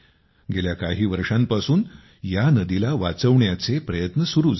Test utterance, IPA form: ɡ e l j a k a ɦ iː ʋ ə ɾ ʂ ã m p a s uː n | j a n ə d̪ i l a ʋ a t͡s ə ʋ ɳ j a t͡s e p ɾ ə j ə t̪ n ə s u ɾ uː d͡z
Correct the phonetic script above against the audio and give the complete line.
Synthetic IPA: ɡ e l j a k a ɦ iː ʋ ə ɾ ʂ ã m p a s uː n | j a n ə d̪ i l a ʋ a t͡s ə ʋ ɳ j a t͡s e p ɾ ə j ə t̪ n ə s u ɾ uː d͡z